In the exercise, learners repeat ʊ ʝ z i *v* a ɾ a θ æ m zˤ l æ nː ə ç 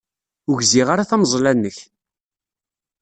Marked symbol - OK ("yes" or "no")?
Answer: no